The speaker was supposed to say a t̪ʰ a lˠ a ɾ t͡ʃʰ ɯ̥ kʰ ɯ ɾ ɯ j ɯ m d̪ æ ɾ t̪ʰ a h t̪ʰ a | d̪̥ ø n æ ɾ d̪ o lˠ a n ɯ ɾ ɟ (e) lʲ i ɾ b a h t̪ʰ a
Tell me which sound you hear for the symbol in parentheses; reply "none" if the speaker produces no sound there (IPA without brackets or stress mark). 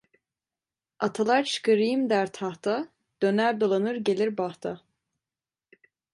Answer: e